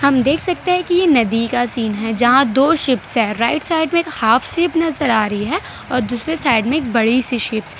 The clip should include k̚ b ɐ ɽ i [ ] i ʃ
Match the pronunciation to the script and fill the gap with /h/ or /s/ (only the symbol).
s